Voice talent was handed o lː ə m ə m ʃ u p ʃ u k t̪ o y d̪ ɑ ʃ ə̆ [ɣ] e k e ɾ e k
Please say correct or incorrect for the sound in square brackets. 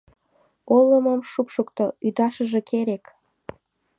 incorrect